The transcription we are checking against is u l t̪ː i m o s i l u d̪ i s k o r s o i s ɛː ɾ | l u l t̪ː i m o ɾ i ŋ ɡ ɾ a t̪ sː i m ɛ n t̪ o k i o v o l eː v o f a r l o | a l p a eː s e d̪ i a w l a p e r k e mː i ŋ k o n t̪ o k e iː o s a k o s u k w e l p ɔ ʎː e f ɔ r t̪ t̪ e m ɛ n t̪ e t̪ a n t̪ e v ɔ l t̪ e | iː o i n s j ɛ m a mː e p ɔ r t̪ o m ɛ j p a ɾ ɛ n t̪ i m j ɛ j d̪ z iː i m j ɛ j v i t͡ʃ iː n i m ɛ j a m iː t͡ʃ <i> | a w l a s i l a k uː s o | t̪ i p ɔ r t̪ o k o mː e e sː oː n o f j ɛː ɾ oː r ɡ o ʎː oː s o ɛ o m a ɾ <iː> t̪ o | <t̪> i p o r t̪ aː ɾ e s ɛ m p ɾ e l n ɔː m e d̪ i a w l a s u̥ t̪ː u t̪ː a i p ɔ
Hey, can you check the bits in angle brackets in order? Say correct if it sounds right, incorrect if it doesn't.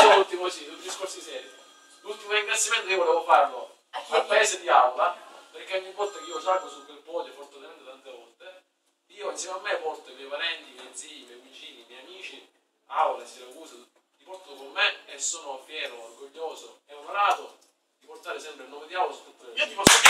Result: correct, incorrect: aː, incorrect: d̪

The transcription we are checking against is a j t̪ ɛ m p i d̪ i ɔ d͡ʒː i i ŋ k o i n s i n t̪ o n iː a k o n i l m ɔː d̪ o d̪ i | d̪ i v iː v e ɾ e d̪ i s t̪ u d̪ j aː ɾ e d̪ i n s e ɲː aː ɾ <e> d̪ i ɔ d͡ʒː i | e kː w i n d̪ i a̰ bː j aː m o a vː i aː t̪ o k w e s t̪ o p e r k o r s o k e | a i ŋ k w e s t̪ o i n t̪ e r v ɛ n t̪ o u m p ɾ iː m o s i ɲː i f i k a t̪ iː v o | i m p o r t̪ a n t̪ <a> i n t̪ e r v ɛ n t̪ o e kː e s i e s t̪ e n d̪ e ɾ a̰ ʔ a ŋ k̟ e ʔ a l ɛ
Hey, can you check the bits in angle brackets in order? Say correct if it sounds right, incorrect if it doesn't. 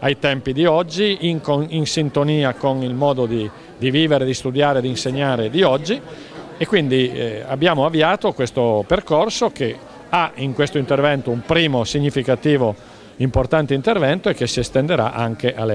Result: correct, incorrect: e

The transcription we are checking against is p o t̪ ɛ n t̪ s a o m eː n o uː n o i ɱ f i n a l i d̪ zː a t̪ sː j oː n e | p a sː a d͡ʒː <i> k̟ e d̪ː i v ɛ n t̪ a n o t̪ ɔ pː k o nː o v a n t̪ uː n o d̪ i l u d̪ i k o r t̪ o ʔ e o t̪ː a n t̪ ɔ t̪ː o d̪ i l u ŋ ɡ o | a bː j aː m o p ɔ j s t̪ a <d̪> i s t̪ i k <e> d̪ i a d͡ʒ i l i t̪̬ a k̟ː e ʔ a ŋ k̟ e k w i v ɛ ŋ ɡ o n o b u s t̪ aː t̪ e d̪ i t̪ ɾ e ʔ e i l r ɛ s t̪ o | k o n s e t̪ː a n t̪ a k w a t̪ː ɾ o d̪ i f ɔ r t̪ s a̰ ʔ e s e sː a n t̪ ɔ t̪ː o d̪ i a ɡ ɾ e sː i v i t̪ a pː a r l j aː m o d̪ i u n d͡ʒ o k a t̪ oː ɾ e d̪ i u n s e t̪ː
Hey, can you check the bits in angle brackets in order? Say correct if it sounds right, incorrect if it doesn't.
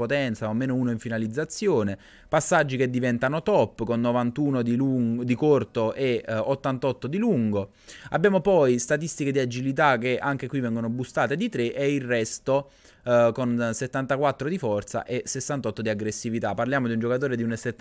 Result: correct, incorrect: t̪, correct

